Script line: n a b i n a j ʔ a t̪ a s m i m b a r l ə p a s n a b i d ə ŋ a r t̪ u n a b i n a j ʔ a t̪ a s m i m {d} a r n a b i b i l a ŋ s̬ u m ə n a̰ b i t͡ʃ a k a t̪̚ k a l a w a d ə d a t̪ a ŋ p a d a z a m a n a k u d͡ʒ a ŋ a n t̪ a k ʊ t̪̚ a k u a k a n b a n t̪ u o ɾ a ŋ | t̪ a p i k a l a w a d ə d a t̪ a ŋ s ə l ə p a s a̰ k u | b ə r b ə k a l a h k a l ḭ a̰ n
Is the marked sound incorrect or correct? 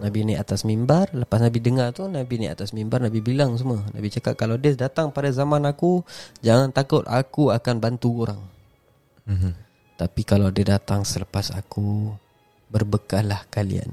incorrect